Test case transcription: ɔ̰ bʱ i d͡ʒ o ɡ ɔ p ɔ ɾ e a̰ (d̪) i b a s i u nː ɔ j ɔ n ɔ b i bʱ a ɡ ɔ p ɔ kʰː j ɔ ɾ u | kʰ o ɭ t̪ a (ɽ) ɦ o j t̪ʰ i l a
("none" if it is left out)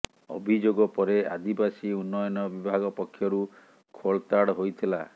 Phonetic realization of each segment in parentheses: d̪, ɽ

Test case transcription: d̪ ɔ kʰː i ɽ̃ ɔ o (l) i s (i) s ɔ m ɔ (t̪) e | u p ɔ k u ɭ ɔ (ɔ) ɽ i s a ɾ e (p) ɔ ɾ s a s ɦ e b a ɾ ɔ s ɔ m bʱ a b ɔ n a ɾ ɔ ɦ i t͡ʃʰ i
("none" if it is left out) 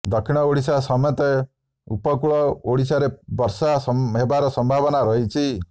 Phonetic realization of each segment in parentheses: ɽ, a, t̪, o, b

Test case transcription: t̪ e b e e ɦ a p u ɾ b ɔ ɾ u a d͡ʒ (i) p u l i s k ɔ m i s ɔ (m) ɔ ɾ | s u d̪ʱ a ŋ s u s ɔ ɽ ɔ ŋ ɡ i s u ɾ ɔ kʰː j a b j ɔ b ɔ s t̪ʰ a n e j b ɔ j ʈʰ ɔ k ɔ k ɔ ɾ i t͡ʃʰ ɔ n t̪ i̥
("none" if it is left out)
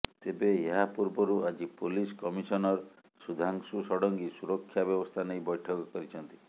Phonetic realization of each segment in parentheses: i, n

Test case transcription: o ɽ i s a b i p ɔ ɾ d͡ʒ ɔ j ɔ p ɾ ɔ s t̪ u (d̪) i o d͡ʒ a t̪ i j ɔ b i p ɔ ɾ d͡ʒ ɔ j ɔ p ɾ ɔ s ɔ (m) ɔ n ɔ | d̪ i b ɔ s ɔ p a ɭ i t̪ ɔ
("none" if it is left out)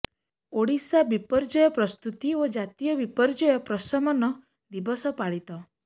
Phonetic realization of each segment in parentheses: t̪, m

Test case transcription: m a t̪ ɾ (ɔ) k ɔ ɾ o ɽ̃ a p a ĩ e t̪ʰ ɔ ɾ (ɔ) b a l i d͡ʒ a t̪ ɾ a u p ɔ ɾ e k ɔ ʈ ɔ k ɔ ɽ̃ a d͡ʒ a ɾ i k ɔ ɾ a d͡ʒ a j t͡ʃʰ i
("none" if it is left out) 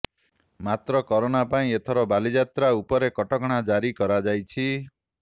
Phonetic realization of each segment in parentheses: ɔ, ɔ

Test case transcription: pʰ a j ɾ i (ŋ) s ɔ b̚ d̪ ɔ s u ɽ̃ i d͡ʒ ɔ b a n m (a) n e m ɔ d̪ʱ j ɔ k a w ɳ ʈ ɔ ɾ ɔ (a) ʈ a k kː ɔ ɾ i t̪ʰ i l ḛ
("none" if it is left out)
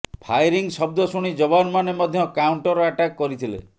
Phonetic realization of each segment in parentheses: ŋ, a, a

